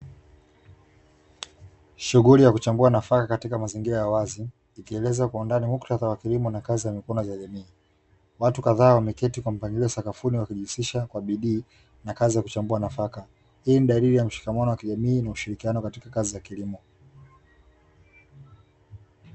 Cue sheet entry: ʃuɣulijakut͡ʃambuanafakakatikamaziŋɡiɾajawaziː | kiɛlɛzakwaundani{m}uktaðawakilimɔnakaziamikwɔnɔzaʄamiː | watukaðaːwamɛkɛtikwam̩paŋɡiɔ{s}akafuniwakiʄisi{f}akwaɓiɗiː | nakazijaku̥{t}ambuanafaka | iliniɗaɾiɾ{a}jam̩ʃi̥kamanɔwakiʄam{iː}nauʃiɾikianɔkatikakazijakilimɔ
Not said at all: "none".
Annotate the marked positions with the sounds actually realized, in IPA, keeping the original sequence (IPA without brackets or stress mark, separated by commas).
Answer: m, s, ʃ, t͡ʃ, i, iː